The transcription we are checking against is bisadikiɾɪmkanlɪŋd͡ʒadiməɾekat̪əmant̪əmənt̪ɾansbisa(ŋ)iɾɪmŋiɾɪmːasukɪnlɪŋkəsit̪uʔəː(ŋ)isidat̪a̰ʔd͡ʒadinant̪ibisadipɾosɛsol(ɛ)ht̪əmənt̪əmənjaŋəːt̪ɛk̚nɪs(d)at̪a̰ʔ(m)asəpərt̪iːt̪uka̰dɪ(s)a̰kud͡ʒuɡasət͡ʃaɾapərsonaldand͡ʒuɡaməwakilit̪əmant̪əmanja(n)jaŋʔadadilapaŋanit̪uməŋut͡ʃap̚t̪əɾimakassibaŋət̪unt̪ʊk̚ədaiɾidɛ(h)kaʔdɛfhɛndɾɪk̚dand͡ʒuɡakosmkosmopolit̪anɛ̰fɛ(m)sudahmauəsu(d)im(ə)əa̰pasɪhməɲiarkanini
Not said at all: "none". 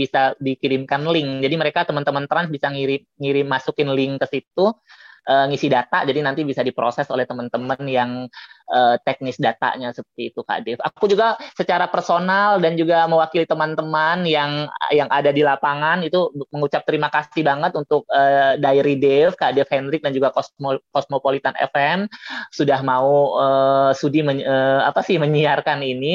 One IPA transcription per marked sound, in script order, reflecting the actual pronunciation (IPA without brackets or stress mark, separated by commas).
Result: ŋ, ŋ, ɛ, d, ɲ, f, ŋ, f, m, d, ə